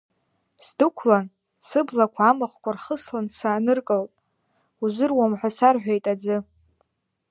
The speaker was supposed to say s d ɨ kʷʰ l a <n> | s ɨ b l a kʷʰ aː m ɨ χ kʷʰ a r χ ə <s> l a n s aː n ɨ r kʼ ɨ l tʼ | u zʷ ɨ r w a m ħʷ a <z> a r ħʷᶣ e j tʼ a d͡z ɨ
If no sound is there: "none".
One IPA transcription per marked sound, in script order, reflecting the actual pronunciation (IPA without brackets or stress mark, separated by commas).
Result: n, s, s